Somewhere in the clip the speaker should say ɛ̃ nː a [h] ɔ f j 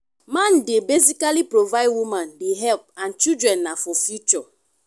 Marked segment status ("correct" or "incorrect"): incorrect